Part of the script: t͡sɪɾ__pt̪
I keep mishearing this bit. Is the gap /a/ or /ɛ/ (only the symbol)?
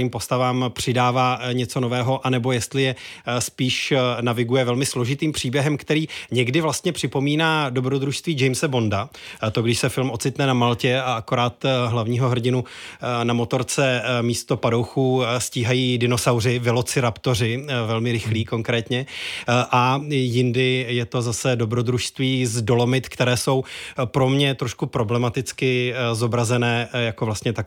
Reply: a